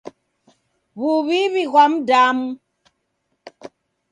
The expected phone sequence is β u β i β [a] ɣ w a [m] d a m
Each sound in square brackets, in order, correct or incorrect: incorrect: i, correct

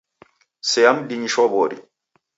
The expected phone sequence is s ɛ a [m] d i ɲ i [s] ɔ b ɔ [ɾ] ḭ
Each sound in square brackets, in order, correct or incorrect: correct, incorrect: ʃ, correct

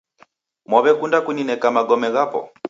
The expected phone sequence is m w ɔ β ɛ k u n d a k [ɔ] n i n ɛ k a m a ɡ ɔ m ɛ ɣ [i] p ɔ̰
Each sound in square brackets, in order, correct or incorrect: incorrect: u, incorrect: a

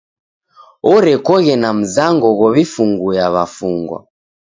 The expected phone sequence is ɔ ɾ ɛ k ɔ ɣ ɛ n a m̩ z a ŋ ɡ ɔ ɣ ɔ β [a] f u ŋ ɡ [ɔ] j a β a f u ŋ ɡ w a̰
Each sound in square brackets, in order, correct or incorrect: incorrect: i, incorrect: u

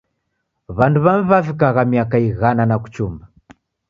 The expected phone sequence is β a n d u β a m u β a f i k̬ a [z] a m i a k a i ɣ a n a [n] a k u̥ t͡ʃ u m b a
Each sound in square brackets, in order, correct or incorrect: incorrect: ɣ, correct

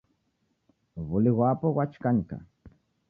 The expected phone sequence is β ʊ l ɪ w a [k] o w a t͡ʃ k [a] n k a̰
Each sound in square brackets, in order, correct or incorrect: incorrect: p, correct

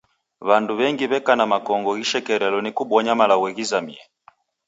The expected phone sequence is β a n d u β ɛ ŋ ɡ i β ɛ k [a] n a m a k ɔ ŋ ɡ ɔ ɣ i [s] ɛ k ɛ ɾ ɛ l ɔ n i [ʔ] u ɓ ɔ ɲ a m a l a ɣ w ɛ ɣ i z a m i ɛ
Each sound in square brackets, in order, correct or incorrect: correct, incorrect: ʃ, incorrect: k

